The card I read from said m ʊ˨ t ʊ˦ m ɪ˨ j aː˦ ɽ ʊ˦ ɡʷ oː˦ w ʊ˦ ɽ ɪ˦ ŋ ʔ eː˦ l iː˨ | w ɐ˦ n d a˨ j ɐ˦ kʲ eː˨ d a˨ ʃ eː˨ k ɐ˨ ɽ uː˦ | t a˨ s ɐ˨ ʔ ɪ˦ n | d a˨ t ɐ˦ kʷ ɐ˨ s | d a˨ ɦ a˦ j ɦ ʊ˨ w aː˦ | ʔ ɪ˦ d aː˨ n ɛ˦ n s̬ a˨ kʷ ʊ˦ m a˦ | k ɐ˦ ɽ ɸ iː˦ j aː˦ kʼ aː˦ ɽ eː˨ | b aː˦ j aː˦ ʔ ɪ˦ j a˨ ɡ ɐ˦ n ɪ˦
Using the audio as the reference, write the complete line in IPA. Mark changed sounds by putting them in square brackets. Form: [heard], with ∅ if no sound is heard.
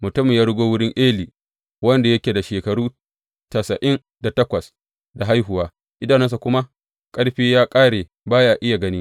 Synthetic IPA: m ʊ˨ t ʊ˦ m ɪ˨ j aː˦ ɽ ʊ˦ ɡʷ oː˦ w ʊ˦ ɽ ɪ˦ ŋ ʔ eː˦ l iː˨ | w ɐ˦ n d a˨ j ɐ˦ kʲ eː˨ d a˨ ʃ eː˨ k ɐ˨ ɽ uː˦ | t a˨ s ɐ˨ ʔ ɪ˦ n | d a˨ t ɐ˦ kʷ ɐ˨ s | d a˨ ɦ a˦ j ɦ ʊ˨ w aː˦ | ʔ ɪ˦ d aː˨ n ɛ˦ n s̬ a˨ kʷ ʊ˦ m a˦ | [kʼ] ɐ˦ ɽ ɸ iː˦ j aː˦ kʼ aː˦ ɽ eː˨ | b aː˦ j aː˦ ʔ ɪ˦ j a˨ ɡ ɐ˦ n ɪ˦